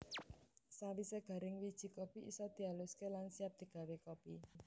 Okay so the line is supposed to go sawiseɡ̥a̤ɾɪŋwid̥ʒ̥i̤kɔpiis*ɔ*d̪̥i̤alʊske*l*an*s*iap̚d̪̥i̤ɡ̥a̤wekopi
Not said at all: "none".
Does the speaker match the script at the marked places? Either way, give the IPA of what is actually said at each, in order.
ɔ, l, s

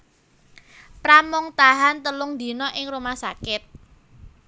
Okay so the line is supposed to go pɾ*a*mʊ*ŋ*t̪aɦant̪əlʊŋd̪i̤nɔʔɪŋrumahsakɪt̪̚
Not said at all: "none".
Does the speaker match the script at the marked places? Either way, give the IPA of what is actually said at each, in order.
a, ŋ

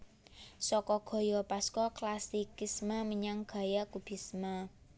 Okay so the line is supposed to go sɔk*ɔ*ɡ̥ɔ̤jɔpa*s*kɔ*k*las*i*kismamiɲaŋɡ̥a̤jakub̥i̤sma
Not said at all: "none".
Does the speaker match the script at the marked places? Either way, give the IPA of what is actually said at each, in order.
ɔ, s, k, i

